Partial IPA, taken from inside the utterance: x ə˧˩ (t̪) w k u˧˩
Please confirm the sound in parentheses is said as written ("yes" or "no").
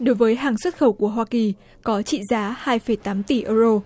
no